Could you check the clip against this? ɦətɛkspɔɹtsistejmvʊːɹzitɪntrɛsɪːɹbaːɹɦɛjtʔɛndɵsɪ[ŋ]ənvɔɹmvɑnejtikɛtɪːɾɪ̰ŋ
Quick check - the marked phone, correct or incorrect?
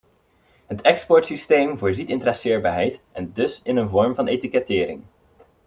incorrect: n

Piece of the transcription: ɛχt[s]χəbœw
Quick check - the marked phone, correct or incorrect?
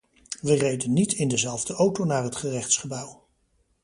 correct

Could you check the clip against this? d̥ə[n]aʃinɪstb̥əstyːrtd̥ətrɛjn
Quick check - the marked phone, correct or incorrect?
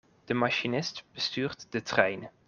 incorrect: m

